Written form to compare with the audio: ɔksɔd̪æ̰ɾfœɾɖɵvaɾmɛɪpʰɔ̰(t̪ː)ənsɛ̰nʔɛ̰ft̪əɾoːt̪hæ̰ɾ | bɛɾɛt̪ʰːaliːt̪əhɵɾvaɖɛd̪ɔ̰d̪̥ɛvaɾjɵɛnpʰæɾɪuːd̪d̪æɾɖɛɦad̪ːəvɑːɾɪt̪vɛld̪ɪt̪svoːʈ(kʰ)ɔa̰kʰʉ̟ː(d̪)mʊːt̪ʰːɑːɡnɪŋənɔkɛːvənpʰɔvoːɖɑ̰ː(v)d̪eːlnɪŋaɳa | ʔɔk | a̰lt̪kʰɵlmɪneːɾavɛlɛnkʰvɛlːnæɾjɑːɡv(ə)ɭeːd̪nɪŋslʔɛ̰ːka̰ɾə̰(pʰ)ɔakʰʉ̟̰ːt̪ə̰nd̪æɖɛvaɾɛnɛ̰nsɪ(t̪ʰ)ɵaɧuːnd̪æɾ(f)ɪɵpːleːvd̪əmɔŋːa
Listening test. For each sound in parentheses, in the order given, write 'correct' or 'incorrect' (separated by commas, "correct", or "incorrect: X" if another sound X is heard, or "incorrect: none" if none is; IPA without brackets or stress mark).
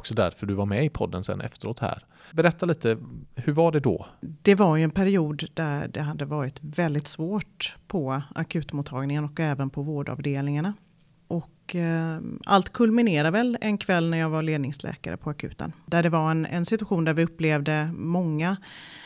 incorrect: d̪ː, incorrect: pʰ, incorrect: t̪, correct, incorrect: a, correct, incorrect: t̪, incorrect: v